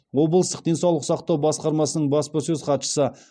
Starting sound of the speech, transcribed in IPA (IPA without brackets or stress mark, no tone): w